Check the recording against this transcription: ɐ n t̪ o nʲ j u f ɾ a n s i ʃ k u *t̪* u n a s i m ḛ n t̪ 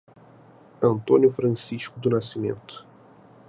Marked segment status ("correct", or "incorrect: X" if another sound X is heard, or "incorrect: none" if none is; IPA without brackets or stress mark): incorrect: d̪